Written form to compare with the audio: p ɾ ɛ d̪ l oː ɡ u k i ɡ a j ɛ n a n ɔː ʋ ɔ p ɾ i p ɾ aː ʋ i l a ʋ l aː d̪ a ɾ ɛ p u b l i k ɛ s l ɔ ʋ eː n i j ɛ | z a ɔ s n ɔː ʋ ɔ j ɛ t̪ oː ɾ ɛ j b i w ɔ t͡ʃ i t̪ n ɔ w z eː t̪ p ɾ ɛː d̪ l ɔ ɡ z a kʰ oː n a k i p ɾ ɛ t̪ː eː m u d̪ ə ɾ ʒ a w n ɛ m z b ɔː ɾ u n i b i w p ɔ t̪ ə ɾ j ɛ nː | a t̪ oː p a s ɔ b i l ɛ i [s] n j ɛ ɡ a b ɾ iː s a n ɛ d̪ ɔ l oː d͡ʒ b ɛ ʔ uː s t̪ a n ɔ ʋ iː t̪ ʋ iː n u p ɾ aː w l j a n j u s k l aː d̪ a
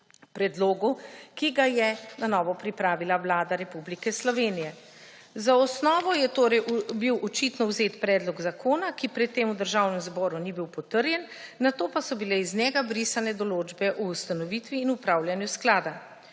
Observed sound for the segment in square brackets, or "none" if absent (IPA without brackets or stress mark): z